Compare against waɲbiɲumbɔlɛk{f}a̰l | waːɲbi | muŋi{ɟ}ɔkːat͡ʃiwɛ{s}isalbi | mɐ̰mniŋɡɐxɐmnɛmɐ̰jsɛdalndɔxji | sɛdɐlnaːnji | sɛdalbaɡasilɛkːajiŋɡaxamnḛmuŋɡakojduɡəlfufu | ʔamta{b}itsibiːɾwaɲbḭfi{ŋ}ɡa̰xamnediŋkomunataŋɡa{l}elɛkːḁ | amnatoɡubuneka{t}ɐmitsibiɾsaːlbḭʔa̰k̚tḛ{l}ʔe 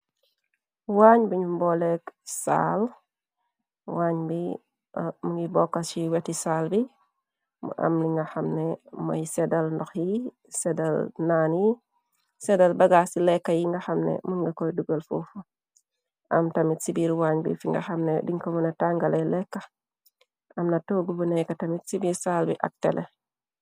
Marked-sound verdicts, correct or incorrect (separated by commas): incorrect, incorrect, incorrect, incorrect, correct, correct, correct, correct